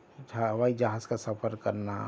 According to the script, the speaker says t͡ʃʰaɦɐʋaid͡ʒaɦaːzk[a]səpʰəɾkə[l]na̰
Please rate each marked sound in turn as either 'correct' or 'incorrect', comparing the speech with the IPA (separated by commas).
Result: correct, incorrect